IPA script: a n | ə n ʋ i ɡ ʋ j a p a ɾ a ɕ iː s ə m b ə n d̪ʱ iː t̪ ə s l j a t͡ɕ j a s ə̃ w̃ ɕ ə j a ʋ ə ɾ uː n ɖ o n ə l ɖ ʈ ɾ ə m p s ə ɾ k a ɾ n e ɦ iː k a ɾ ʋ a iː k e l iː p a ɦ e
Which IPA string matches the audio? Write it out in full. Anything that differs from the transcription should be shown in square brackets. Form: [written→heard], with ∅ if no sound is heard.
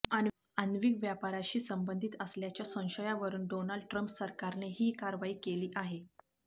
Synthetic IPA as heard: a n | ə n ʋ i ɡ ʋ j a p a ɾ a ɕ iː s ə m b ə n d̪ʱ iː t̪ ə s l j a t͡ɕ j a s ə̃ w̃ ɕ ə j a ʋ ə ɾ uː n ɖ o n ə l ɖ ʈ ɾ ə m p s ə ɾ k a ɾ n e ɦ iː k a ɾ ʋ a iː k e l iː [p→ʔ] a ɦ e

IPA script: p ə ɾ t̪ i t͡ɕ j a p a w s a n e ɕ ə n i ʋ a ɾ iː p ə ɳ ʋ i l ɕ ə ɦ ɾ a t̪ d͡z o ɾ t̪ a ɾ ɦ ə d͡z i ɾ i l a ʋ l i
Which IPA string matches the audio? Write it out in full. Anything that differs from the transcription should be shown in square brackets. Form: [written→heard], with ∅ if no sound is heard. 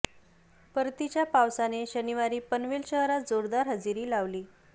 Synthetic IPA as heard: p ə ɾ t̪ i t͡ɕ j a p a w s a n e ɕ ə n i ʋ a ɾ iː p ə [ɳ→n] ʋ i l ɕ ə ɦ ɾ a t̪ d͡z o ɾ [t̪→d̪] a ɾ ɦ ə d͡z i ɾ [i→iː] l a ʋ l [i→iː]

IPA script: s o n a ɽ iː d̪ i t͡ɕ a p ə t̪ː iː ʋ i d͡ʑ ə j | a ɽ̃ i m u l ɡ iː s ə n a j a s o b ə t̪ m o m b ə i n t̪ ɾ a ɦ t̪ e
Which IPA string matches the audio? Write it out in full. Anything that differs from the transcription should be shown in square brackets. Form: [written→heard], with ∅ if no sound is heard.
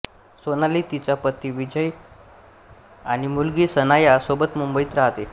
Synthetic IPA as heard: s o n a [ɽ→l] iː [d̪→t̪] i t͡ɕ a p ə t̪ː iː ʋ i d͡ʑ ə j | a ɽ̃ i m u l ɡ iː s ə n a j a s o b ə t̪ m [o→u] m b ə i [n→∅] t̪ ɾ a ɦ t̪ e

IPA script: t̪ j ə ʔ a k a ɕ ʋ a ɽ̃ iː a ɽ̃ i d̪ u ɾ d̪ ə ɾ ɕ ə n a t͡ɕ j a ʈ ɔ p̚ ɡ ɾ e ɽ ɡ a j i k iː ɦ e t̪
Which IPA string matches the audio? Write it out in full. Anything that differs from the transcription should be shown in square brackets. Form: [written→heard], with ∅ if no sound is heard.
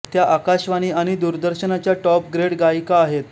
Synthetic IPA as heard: t̪ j [ə→a] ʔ a k a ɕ ʋ a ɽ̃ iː a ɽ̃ i d̪ u ɾ d̪ ə ɾ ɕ ə n a t͡ɕ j a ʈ ɔ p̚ ɡ ɾ e ɽ ɡ a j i k [iː→aː] ɦ e t̪

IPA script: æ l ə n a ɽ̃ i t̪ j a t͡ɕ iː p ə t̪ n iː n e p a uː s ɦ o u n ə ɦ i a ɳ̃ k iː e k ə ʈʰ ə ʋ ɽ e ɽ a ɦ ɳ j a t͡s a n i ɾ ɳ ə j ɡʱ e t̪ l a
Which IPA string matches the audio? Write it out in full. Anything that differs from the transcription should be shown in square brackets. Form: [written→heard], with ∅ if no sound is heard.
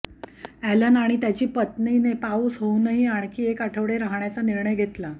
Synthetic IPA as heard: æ l ə n a ɽ̃ i t̪ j a t͡ɕ iː p ə t̪ n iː n e p a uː s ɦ o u n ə ɦ i a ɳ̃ k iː e k [ə→a] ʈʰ ə ʋ ɽ e [ɽ→ɾ] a ɦ ɳ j a t͡s a n i ɾ ɳ ə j ɡʱ e t̪ l a

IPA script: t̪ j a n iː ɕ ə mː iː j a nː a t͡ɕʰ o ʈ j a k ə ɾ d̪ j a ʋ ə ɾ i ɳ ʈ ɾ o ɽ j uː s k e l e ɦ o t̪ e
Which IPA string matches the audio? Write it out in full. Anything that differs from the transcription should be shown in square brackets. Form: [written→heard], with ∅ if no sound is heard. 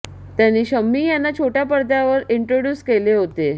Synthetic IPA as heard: t̪ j a n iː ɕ ə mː iː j a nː a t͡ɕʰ o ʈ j a [k→p] ə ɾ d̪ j a ʋ ə ɾ i ɳ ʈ ɾ o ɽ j uː s k e l e ɦ o t̪ e

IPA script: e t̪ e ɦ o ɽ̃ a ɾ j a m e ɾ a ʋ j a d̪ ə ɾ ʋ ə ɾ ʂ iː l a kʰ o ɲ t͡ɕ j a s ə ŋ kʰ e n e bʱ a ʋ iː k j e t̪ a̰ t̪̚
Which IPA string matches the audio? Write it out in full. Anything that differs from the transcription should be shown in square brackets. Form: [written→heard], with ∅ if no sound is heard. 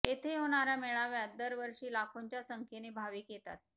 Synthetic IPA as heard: e [t̪→t̪ʰ] e ɦ o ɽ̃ a ɾ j a m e [ɾ→ɭ] a ʋ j a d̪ ə ɾ ʋ ə ɾ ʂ iː l a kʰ o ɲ t͡ɕ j a s ə ŋ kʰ e n e bʱ a ʋ iː k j e t̪ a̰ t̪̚

